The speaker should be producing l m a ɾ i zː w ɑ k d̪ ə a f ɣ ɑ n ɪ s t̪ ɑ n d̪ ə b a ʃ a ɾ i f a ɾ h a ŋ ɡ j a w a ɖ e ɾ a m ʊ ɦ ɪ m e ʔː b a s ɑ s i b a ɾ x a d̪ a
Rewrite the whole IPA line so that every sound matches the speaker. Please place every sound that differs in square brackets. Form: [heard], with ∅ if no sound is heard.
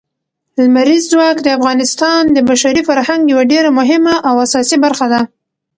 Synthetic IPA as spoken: l m a ɾ i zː w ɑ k d̪ ə a f ɣ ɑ n ɪ s t̪ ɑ n d̪ ə b a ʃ a ɾ i f a ɾ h a ŋ ɡ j a w a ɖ e ɾ a m ʊ ɦ ɪ m [a] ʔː [w] a s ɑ s i b a ɾ x a d̪ a